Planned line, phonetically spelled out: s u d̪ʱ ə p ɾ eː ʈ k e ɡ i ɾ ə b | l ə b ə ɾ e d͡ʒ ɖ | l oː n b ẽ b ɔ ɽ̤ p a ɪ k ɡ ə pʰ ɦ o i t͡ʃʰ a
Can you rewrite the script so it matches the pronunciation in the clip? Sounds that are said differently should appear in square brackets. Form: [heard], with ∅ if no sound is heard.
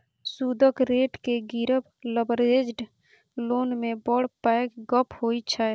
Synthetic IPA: s u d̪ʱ ə [k] ɾ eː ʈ k e ɡ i ɾ ə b | l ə b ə ɾ e d͡ʒ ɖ | l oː n [m] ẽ b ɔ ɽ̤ p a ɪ k ɡ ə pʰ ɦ o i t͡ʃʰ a

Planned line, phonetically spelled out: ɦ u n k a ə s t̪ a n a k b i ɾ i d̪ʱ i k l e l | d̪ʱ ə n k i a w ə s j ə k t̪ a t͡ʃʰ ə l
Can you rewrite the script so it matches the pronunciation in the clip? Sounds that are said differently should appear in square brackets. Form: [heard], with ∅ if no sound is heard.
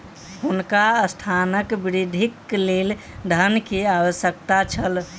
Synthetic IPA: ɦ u n k a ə s [t̪ʰ] a n [ə] k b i ɾ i d̪ʱ i k l e l | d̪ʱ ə n k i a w ə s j ə k t̪ a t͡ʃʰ ə l

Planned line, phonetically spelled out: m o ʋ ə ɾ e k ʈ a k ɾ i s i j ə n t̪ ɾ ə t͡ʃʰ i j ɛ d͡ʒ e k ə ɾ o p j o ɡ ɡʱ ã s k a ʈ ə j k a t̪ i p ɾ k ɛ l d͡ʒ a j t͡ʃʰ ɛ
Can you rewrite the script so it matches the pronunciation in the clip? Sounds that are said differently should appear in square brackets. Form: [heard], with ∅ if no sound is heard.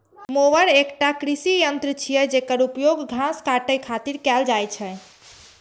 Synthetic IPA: m o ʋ ə ɾ e k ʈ a k ɾ i s i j ə n t̪ ɾ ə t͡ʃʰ i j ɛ d͡ʒ e k ə ɾ [u] p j o ɡ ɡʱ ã s k a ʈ ə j [kʰ] a t̪ i [∅] ɾ k ɛ l d͡ʒ a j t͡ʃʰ ɛ

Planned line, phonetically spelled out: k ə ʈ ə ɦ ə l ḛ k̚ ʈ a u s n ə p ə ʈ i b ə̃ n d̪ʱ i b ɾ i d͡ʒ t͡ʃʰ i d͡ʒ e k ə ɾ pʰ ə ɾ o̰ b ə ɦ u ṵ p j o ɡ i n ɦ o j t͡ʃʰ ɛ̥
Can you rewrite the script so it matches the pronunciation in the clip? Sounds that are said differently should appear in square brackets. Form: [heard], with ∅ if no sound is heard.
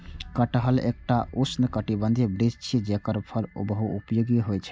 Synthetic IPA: k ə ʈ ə ɦ ə l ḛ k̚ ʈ a u s n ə [k] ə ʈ i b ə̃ n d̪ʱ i b ɾ i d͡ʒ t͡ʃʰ i d͡ʒ e k ə ɾ pʰ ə ɾ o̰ b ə ɦ u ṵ p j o ɡ i [∅] ɦ o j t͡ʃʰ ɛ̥

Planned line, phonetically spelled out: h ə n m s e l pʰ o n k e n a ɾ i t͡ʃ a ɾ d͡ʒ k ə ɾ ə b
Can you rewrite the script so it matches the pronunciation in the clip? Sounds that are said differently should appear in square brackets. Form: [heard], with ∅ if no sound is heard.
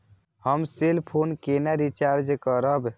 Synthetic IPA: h ə [∅] m s e l pʰ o n k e n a ɾ i t͡ʃ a ɾ d͡ʒ k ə ɾ ə b

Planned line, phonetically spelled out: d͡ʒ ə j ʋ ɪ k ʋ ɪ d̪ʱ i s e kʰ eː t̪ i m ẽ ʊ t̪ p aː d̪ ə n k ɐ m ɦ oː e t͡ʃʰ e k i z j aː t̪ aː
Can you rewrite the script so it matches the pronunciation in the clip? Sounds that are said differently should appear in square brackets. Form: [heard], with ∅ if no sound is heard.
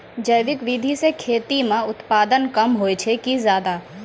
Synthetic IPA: d͡ʒ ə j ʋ ɪ k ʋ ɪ d̪ʱ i s e kʰ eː t̪ i m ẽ ʊ t̪ p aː d̪ ə n k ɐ m ɦ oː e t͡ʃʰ e k i z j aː [d̪] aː

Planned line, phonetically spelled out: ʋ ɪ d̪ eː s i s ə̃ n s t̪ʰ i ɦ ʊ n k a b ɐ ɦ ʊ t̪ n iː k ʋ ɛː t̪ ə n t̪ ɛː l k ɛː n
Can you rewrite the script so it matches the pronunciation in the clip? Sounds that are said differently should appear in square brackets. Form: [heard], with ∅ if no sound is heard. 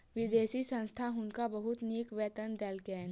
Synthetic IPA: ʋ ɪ d̪ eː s i s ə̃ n s t̪ʰ [a] ɦ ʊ n k a b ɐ ɦ ʊ t̪ n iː k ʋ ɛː t̪ ə n [d̪] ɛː l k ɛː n

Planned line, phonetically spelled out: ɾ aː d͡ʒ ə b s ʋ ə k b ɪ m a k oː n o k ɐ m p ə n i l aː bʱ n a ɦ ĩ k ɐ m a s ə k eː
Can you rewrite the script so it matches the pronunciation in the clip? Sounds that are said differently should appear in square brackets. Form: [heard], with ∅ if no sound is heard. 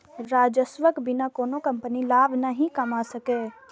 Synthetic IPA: ɾ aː d͡ʒ ə [∅] s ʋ ə k b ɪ [n] a k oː n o k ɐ m p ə n i l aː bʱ n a ɦ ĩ k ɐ m a s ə k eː

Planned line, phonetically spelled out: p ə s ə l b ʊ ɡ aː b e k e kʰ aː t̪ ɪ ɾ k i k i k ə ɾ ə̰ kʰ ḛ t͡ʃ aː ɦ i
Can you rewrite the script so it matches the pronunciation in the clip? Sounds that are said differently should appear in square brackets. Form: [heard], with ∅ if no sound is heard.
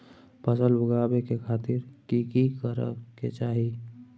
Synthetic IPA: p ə s ə l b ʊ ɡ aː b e k e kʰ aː t̪ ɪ ɾ k i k i k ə ɾ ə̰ [k] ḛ t͡ʃ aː ɦ i

